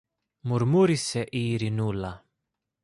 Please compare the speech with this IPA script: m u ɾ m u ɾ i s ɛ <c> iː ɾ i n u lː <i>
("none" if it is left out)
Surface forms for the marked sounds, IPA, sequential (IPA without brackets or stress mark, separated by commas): ʔ, a